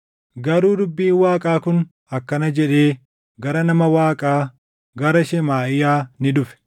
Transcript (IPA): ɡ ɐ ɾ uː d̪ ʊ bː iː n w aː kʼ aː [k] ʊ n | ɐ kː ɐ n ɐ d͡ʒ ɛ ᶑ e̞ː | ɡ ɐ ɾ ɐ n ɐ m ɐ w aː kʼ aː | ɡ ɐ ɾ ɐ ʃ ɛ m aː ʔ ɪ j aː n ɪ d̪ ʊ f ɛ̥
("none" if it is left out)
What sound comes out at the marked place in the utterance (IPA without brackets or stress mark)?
k